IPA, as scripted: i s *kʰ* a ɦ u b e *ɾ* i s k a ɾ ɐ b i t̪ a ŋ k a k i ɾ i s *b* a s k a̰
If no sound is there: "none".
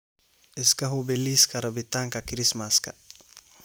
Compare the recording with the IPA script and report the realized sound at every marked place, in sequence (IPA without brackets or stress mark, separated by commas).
k, l, m